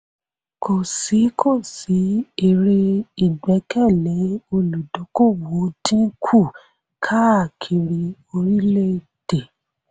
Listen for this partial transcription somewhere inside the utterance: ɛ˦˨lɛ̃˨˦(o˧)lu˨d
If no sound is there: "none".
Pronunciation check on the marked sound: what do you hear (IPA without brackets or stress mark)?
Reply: o˧